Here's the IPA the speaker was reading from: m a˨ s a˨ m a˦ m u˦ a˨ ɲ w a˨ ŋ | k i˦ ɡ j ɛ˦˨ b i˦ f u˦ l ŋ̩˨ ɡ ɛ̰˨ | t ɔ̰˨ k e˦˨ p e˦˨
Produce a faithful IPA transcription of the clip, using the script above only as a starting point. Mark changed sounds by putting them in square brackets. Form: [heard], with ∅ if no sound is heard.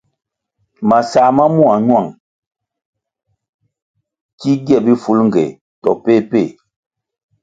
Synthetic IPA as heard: m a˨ s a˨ m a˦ m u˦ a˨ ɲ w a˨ ŋ | k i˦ ɡ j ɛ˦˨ b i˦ f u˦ l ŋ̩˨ ɡ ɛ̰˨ | t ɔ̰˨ [p] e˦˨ p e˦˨